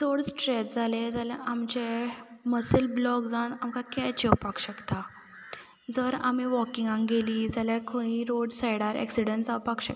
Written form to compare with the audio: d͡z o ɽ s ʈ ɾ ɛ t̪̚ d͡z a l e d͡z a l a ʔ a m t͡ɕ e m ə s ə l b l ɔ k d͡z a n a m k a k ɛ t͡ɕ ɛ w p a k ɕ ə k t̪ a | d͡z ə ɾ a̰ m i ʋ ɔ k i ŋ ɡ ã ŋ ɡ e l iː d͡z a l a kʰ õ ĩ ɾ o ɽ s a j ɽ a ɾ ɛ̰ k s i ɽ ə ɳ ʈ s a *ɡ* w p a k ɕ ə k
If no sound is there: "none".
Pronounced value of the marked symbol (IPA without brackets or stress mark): none